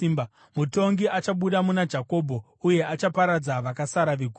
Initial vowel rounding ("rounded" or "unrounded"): rounded